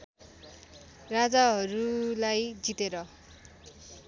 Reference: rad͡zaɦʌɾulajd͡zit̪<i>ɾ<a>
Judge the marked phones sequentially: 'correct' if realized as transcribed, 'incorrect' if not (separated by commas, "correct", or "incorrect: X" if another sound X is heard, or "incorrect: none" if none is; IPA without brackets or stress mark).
incorrect: e, incorrect: ʌ